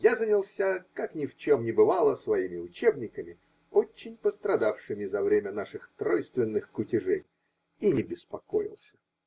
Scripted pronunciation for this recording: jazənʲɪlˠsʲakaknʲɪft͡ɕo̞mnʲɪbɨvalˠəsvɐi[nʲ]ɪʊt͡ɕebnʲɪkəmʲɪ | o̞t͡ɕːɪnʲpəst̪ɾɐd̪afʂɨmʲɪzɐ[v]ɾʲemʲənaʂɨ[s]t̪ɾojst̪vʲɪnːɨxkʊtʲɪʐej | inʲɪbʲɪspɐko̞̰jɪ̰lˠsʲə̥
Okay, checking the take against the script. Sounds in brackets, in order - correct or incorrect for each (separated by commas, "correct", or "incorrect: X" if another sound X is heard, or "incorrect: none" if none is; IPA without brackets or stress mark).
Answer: incorrect: mʲ, correct, incorrect: x